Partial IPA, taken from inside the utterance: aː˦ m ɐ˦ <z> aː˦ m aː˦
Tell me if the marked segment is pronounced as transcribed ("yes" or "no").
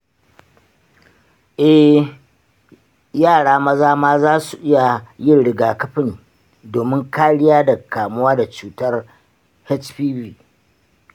yes